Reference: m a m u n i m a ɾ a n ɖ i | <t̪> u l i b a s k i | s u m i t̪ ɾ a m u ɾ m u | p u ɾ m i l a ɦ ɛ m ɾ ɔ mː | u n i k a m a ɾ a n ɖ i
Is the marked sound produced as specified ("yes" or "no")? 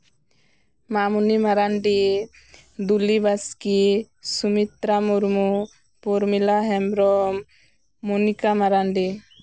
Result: no